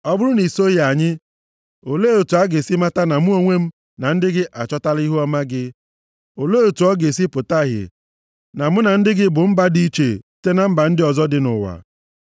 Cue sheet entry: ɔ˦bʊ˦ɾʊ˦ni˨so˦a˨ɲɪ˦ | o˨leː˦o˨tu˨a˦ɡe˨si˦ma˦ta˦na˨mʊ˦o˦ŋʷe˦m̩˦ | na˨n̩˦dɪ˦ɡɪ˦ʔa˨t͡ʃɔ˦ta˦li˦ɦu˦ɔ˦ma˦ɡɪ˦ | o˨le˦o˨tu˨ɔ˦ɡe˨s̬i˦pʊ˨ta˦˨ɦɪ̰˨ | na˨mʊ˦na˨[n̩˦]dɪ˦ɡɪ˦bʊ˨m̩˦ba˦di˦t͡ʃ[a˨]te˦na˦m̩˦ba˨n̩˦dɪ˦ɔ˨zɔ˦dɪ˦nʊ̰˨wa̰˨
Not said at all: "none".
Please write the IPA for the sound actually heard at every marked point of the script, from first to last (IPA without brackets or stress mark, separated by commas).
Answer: n̩˦, e˨